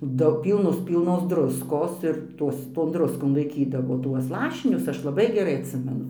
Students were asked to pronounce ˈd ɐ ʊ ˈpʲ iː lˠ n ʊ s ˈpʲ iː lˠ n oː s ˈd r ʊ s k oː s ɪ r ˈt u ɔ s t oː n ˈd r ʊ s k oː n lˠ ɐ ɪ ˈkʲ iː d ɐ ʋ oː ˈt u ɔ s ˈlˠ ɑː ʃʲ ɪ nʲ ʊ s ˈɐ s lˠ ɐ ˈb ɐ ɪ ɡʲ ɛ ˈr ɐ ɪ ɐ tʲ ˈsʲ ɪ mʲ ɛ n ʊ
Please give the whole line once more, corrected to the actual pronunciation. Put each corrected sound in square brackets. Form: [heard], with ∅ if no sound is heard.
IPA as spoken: ˈd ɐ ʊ ˈpʲ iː lˠ n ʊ s ˈpʲ iː lˠ n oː s ˈd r ʊ s k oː s ɪ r ˈt u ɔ s t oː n ˈd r ʊ s k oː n lˠ ɐ ɪ ˈkʲ iː d ɐ ʋ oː ˈt u ɔ s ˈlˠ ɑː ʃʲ ɪ nʲ ʊ s ˈɐ [ʃ] lˠ ɐ ˈb ɐ ɪ ɡʲ ɛ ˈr ɐ ɪ ɐ tʲ ˈsʲ ɪ mʲ ɛ n ʊ